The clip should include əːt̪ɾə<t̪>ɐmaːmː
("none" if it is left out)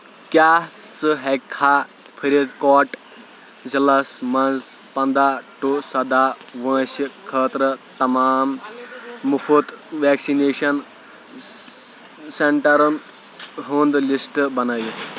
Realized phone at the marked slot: t̪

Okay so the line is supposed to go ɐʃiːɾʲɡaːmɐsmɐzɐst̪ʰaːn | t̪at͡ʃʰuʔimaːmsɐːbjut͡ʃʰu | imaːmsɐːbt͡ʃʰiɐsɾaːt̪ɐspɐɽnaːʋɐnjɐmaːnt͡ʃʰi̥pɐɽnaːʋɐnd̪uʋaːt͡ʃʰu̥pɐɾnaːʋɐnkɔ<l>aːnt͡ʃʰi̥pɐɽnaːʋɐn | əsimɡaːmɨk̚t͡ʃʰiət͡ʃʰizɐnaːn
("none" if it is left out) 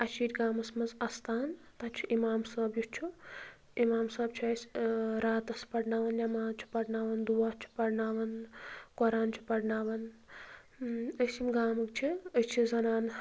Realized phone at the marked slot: ɾ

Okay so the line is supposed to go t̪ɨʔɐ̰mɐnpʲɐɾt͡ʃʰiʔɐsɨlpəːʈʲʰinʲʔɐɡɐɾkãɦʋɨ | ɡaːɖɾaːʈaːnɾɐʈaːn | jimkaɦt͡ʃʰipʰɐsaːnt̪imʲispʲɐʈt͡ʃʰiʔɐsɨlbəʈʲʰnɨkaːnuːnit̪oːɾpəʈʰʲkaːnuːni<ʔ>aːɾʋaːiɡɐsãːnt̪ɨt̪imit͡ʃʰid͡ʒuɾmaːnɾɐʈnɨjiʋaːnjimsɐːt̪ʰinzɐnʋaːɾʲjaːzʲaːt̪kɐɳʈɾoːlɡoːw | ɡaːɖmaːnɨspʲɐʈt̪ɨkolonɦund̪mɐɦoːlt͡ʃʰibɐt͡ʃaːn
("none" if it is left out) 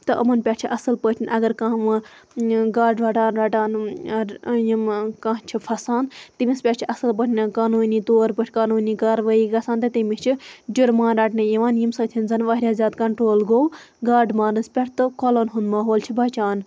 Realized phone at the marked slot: k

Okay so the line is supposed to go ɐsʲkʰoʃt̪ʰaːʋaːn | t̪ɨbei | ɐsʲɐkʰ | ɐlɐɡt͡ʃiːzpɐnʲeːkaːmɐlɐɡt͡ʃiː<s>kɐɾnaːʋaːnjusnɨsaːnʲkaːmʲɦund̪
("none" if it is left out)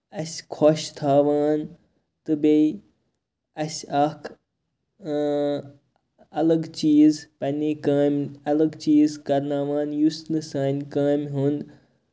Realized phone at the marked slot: z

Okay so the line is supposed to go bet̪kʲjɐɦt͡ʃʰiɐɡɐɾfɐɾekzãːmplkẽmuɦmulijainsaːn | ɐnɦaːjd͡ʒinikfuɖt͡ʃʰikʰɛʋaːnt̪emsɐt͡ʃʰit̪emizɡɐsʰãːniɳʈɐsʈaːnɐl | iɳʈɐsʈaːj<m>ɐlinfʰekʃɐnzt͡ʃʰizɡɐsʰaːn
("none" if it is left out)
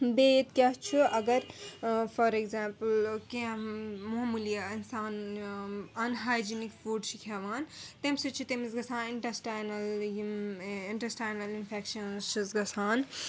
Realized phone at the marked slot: n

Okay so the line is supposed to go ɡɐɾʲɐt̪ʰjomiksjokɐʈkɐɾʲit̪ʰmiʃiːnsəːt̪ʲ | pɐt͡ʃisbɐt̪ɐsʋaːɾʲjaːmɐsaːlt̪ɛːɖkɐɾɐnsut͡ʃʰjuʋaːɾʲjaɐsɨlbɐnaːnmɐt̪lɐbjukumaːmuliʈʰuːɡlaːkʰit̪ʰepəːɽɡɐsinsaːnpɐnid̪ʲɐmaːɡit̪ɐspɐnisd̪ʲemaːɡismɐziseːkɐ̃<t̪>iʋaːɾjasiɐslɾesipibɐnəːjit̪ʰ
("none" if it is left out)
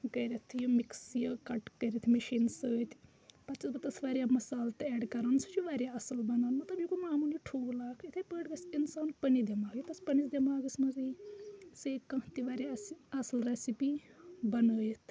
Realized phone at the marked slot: t̪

